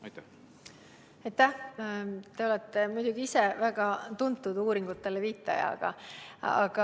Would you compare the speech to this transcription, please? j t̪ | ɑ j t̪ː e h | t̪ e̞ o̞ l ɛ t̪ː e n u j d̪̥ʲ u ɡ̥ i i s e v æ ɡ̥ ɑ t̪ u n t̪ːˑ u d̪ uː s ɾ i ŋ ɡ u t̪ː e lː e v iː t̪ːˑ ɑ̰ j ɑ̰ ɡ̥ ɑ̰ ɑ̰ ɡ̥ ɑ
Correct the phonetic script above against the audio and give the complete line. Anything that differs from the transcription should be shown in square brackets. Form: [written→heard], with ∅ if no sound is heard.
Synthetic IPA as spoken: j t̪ | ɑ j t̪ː [e→æ] h | t̪ e̞ o̞ l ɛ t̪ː e [n→m] u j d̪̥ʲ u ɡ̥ i i s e v æ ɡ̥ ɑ t̪ u n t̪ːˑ u d̪ uː [s→∅] ɾ i ŋ ɡ u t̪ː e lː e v iː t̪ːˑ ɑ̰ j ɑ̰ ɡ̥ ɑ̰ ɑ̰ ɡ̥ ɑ